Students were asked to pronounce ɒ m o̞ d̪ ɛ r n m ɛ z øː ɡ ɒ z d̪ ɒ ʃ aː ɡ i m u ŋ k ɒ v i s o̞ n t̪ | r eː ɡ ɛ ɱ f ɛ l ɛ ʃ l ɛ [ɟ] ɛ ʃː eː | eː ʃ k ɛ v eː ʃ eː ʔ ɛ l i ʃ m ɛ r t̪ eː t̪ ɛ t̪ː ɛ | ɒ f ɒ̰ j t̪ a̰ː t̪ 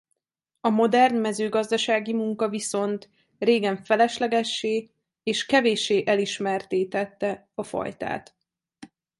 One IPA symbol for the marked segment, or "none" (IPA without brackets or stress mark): ɡ